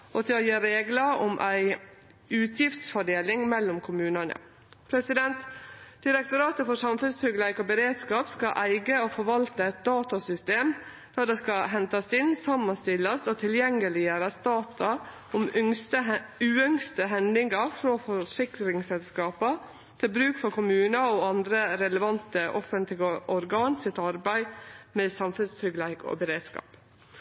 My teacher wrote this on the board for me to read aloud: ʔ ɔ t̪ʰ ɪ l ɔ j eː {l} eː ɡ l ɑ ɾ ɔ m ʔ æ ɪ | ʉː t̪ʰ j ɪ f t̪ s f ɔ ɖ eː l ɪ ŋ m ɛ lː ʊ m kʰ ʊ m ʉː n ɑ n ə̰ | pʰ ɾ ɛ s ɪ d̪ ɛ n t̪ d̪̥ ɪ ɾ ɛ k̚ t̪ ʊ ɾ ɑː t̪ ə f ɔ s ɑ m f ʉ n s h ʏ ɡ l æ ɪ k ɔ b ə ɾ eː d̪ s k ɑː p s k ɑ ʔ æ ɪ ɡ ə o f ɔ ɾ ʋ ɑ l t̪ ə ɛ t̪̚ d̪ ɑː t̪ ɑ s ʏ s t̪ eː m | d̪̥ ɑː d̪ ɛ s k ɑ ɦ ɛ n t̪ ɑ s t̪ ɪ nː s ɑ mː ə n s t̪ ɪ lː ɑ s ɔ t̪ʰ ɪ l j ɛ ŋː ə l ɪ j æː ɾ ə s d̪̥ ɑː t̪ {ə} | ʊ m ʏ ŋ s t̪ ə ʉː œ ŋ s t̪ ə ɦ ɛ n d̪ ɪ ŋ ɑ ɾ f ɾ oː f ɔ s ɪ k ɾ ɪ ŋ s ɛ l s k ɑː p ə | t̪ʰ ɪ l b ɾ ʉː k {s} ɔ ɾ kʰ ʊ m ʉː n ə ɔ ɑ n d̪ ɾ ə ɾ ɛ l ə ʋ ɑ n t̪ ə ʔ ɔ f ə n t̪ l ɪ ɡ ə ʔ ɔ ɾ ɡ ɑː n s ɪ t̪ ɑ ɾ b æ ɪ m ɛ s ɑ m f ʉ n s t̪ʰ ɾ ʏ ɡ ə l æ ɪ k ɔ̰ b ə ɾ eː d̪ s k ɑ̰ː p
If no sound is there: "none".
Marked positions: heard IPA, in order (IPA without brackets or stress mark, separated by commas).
ɾ, ɑ, f